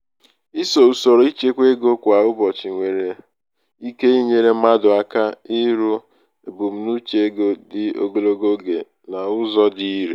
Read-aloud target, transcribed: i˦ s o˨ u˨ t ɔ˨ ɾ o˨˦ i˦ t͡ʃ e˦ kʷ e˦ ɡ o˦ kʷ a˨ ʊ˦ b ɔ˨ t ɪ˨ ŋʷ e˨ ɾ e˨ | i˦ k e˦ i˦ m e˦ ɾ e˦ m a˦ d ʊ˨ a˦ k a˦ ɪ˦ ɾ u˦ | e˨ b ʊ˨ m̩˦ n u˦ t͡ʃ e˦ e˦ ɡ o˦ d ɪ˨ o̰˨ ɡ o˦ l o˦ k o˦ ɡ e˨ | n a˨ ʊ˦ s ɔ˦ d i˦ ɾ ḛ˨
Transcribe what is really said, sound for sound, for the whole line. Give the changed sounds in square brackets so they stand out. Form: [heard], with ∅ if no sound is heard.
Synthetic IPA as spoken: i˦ s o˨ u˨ [s] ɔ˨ ɾ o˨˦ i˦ t͡ʃ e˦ kʷ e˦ ɡ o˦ kʷ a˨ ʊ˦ b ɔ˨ [t͡ʃ] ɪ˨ ŋʷ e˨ ɾ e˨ | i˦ k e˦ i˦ [ɲ] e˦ ɾ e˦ m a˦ d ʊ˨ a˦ k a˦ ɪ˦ ɾ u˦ | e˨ b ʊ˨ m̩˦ n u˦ t͡ʃ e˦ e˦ ɡ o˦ d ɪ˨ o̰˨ ɡ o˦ l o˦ [ɡ] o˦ ɡ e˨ | n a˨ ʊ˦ [z] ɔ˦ d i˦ ɾ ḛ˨